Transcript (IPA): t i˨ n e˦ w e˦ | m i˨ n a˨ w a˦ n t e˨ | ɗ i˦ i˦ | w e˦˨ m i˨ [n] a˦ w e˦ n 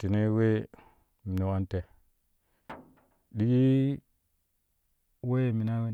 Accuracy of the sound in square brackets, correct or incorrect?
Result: correct